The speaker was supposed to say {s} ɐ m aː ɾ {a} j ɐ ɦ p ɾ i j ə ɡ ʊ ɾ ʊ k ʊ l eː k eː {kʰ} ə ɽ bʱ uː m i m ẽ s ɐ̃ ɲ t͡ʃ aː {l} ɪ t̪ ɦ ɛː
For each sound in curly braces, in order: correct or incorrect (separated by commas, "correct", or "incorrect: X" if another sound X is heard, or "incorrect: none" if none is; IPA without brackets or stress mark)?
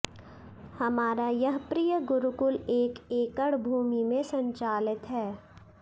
incorrect: h, correct, incorrect: k, correct